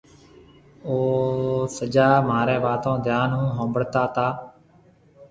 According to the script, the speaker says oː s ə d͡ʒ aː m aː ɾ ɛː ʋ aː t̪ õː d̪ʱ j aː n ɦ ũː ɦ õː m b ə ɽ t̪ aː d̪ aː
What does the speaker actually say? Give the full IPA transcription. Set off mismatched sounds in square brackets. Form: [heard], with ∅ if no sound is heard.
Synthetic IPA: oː s ə d͡ʒ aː m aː ɾ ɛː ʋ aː t̪ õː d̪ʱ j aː n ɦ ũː ɦ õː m b ə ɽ t̪ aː [t̪] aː